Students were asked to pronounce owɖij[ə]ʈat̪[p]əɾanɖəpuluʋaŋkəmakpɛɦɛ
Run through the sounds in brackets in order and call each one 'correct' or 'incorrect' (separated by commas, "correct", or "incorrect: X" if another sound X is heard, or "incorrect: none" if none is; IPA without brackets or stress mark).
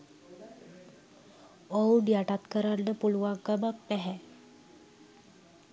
incorrect: a, incorrect: k